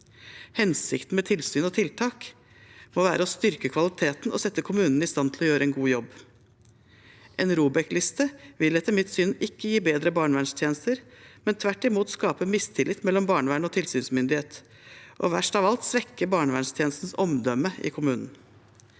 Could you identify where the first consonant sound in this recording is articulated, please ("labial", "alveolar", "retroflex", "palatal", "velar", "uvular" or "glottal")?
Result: glottal